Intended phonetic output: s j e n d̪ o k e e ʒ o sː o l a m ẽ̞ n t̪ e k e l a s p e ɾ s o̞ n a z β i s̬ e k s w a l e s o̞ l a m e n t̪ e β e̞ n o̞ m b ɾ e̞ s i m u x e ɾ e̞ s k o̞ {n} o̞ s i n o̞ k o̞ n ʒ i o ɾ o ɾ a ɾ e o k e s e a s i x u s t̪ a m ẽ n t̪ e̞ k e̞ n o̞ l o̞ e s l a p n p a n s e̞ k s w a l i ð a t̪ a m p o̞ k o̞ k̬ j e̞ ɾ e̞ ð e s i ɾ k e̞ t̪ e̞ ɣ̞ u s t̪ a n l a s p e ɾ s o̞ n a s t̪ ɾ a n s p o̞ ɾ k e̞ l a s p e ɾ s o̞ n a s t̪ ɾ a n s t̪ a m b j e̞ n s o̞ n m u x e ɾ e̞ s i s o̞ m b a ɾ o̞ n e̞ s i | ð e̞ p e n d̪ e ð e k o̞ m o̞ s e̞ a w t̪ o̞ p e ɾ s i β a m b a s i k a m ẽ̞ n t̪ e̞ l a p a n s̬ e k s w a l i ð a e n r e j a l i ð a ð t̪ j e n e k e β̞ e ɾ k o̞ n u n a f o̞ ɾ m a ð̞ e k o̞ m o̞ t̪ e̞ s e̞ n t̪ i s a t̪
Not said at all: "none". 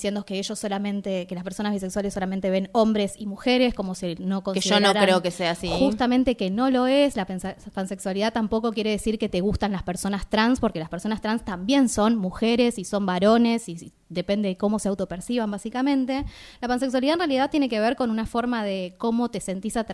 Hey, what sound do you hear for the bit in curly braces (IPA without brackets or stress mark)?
m